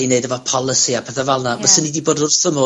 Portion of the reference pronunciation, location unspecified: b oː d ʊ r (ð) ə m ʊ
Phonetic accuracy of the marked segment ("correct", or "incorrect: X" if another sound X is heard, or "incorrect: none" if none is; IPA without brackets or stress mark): incorrect: θ